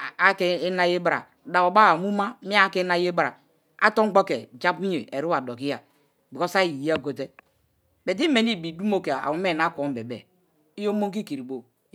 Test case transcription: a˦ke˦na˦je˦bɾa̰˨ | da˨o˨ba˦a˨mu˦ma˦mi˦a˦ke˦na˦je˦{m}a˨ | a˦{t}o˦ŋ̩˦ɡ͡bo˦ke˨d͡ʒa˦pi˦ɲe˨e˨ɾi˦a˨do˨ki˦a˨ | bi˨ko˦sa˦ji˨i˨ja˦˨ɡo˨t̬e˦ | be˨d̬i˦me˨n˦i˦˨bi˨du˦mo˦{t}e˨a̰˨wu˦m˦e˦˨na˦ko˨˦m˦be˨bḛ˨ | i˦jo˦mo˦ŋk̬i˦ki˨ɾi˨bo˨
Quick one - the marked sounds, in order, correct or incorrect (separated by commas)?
incorrect, correct, incorrect